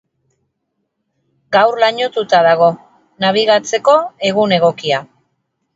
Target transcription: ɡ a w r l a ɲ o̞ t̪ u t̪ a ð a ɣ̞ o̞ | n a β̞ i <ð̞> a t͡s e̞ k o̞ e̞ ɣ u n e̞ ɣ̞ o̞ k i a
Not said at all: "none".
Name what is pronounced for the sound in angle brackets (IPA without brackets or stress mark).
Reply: ɣ̞